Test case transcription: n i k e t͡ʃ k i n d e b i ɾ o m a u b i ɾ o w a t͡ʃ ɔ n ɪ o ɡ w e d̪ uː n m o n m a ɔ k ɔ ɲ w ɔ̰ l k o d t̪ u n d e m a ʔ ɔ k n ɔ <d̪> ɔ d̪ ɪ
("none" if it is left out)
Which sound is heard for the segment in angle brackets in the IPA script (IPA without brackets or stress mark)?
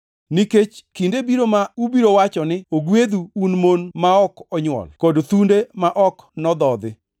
d̪